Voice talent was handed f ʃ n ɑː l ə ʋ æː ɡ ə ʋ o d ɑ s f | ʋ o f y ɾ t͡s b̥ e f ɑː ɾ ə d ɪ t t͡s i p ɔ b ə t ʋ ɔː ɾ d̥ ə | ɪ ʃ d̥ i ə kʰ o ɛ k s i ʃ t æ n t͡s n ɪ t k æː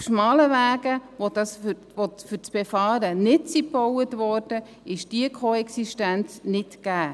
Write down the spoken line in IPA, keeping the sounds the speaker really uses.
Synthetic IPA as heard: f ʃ m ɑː l ə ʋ æː ɡ ə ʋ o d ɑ s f | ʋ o f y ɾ t͡s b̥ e f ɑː ɾ ə n ɪ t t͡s i p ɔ w ə t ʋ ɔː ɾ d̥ ə | ɪ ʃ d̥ i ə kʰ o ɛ k s i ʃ t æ n t͡s n ɪ t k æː